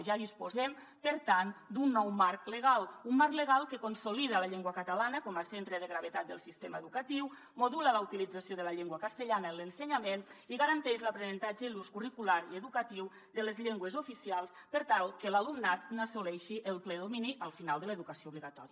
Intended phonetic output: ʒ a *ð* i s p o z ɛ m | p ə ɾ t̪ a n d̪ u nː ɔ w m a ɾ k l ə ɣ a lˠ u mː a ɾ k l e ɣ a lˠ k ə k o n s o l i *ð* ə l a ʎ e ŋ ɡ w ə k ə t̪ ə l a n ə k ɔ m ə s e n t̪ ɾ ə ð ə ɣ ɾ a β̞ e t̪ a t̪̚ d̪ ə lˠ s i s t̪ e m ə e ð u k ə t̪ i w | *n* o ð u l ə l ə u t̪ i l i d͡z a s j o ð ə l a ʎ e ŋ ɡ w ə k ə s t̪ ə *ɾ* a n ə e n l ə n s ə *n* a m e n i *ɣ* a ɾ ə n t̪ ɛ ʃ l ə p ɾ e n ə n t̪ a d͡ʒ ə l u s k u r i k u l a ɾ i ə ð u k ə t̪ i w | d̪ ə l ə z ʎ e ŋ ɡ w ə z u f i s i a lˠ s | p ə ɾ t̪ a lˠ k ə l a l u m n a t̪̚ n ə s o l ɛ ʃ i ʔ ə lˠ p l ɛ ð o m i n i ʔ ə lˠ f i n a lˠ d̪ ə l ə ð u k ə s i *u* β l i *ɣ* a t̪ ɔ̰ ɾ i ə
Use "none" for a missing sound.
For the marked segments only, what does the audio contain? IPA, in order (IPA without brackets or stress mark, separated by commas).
ð, ð, m, ʎ, ɲ, ɣ, o, ɣ